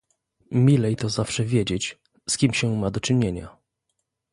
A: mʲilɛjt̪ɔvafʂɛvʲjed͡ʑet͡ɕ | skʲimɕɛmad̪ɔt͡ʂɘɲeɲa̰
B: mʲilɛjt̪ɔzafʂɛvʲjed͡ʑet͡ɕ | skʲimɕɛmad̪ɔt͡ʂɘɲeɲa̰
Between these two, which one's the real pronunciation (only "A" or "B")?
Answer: B